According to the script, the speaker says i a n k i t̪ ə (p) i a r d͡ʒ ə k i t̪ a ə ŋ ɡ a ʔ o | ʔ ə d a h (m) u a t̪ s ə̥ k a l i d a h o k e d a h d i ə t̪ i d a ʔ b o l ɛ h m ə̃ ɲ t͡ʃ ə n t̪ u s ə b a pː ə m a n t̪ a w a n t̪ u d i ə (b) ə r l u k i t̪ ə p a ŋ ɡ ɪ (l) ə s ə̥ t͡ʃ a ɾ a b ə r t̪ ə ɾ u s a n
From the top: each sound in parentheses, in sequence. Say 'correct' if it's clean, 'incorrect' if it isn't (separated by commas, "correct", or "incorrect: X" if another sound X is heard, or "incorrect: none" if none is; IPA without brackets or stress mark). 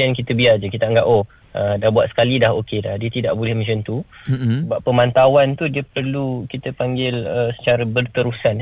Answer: incorrect: b, incorrect: b, incorrect: p, correct